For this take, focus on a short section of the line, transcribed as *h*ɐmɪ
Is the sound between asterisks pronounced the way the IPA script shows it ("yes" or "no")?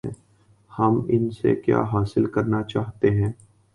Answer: yes